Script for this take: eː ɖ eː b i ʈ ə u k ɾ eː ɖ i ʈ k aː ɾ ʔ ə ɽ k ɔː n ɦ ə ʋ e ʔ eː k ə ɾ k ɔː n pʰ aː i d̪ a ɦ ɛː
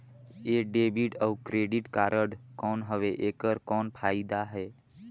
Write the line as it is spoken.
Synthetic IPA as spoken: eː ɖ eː b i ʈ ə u k ɾ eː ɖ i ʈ k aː ɾ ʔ ə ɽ k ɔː n ɦ ə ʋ e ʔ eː k ə ɾ k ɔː n pʰ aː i d̪ a ɦ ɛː